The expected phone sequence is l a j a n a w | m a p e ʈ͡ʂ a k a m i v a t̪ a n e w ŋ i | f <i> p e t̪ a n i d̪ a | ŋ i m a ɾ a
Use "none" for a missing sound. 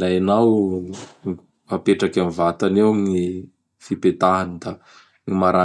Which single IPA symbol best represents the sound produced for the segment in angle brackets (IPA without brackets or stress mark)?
i